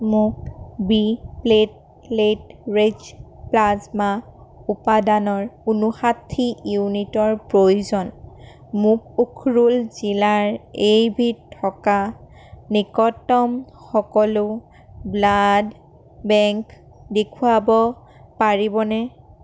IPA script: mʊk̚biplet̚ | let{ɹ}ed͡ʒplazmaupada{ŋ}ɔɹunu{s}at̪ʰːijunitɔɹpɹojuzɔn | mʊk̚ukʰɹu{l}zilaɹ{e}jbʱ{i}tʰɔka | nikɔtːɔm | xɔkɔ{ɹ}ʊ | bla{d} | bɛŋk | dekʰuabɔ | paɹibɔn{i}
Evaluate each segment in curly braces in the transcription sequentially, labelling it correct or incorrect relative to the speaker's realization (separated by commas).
correct, incorrect, incorrect, correct, correct, correct, incorrect, correct, incorrect